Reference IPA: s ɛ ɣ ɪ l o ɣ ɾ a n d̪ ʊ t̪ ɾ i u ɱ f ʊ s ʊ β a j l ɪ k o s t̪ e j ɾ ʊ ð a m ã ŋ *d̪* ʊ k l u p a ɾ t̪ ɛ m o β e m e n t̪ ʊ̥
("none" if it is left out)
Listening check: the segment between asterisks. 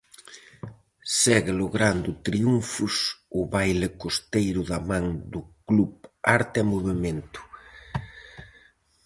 d̪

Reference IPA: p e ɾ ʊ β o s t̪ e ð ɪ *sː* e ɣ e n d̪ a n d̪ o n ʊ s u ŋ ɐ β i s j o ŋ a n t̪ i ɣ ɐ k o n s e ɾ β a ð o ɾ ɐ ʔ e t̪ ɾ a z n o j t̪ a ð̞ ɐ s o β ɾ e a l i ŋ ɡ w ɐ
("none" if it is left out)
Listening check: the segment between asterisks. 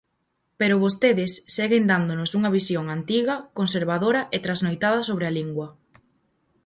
sː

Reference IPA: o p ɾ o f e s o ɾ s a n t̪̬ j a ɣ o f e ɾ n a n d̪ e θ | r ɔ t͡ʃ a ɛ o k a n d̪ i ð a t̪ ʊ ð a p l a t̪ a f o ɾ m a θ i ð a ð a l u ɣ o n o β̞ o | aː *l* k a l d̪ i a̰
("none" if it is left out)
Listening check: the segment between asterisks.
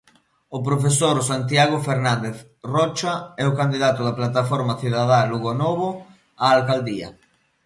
l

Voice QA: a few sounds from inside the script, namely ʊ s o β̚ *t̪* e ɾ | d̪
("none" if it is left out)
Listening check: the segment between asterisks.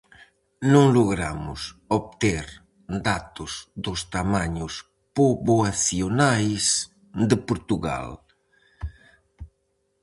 t̪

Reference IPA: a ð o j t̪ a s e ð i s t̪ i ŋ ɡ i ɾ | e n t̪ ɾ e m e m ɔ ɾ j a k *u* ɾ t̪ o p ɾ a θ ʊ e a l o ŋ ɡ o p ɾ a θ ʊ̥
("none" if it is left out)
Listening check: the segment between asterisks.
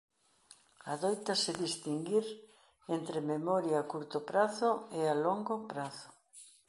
u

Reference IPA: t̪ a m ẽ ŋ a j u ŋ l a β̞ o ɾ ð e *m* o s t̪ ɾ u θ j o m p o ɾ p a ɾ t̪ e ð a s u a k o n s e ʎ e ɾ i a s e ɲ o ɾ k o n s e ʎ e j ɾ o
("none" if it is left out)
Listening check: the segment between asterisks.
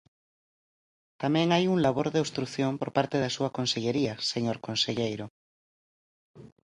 none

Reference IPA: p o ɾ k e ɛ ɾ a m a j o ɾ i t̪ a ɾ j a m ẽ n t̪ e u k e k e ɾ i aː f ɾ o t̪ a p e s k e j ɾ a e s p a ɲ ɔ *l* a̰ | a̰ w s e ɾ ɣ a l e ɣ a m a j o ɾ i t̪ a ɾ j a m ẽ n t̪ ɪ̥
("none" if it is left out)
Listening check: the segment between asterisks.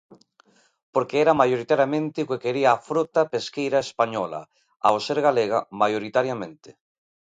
l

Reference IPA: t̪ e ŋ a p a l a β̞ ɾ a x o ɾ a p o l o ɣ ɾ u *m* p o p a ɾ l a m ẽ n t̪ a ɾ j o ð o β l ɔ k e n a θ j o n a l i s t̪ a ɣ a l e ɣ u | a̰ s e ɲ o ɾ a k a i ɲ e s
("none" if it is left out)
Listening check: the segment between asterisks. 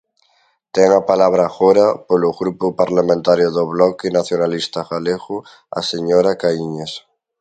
none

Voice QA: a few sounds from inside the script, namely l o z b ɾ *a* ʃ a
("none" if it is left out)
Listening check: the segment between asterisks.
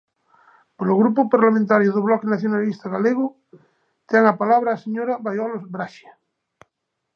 a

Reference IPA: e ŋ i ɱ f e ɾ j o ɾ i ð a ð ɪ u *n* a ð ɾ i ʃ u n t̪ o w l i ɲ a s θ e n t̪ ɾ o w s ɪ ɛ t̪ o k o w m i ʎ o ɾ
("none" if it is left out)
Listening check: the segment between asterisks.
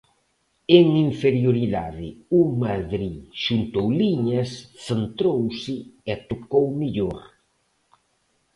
m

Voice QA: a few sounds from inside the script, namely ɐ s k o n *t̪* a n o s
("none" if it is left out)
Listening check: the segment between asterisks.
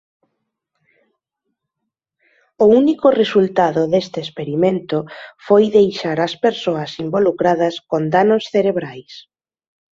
d̪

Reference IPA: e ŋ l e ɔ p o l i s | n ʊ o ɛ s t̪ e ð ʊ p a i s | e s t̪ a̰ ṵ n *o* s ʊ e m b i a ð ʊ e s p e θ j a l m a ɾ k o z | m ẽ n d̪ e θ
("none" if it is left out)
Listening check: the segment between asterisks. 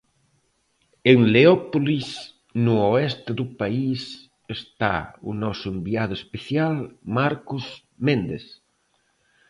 ɔ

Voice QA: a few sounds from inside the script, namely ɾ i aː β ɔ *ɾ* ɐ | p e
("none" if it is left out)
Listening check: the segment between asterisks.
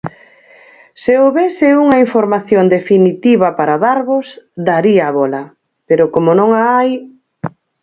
l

